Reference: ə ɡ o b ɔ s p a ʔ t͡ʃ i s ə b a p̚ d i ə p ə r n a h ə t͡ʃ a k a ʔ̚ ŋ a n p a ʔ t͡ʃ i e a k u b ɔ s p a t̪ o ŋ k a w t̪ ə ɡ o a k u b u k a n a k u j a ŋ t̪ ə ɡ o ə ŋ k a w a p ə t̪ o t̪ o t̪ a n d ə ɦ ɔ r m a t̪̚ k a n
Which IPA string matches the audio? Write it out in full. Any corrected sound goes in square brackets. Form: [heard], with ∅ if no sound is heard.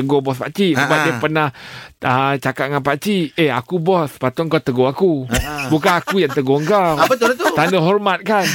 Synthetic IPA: ə ɡ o b ɔ s p a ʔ t͡ʃ i s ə b a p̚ d i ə p ə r n a h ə t͡ʃ a k a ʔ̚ ŋ a n p a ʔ t͡ʃ i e a k u b ɔ s p a t̪ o ŋ k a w t̪ ə ɡ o a k u b u k a n a k u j a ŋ t̪ ə ɡ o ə ŋ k a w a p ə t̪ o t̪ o t̪ a n d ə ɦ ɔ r m a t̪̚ k a n